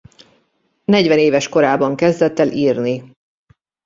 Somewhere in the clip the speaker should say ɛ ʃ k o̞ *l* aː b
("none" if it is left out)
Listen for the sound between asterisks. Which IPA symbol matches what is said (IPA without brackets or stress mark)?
ɾ